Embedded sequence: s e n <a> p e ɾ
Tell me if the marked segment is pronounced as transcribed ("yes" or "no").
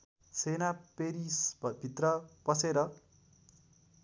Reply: yes